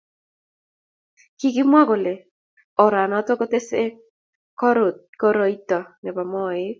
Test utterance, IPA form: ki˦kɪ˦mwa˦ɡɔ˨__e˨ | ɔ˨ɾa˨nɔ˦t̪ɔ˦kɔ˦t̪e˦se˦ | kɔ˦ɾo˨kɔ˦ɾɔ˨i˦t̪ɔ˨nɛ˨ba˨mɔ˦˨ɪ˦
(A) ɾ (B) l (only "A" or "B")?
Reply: B